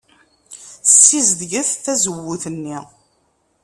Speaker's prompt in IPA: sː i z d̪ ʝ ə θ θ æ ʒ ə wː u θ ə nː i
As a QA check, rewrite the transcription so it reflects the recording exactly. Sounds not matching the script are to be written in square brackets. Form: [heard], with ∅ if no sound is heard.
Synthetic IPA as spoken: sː i z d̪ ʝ ə θ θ æ [z] ə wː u θ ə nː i